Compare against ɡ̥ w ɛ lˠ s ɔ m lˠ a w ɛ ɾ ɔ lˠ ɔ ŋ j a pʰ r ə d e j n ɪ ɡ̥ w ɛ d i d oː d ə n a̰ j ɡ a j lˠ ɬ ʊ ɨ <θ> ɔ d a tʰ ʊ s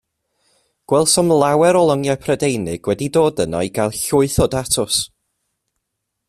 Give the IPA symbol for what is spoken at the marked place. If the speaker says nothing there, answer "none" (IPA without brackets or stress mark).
θ